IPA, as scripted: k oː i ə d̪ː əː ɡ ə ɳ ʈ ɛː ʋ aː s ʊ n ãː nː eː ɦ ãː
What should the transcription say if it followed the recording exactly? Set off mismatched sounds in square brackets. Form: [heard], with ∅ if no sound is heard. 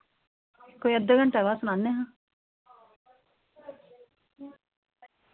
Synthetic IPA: k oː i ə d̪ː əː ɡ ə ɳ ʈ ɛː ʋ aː s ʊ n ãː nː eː ɦ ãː